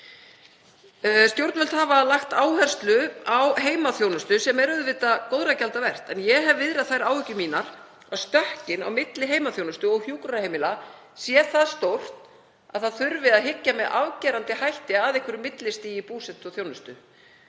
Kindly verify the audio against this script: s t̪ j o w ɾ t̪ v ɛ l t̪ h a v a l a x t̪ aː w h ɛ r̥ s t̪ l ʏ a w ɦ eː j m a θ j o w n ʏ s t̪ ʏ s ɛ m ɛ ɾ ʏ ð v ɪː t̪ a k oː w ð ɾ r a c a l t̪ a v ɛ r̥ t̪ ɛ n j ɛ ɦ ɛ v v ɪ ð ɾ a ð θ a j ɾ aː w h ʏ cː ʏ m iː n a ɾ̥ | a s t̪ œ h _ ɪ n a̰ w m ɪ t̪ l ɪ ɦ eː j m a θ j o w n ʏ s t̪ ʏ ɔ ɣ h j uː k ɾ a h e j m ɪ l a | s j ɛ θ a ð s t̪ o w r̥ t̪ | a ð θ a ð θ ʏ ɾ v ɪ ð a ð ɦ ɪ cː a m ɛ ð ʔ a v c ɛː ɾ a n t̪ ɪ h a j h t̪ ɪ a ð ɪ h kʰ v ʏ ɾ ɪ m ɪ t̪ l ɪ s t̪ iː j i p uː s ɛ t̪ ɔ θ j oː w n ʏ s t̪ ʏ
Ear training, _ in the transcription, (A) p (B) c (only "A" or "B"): B